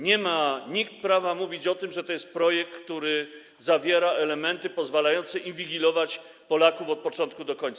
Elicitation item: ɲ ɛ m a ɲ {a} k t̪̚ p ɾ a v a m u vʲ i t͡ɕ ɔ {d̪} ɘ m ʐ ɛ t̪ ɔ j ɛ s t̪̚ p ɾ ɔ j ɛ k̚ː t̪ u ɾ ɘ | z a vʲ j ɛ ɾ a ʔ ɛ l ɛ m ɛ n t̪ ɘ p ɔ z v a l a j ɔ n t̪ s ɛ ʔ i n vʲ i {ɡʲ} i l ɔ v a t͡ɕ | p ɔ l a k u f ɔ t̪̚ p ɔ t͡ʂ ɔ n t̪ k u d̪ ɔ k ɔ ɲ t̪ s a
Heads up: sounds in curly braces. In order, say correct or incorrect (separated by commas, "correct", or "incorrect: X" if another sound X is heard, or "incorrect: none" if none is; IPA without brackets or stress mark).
incorrect: i, incorrect: t̪, correct